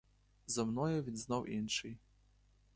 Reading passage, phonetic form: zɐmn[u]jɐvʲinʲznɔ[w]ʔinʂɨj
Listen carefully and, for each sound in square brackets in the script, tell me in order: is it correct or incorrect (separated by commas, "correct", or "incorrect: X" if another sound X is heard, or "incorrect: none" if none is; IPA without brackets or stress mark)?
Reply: incorrect: ɔ, correct